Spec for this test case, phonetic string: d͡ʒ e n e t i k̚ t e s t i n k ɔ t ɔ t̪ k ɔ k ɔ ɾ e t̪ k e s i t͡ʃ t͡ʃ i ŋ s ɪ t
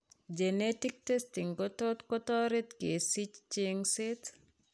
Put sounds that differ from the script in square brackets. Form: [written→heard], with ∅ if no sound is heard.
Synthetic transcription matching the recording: d͡ʒ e n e t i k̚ t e s t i [n→ŋ] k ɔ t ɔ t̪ k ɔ [k→t] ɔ ɾ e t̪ k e s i t͡ʃ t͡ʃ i ŋ s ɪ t